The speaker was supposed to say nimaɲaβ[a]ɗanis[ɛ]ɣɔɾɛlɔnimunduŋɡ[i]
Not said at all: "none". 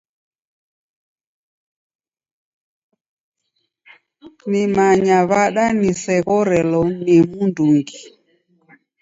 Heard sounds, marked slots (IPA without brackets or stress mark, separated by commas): a, ɛ, i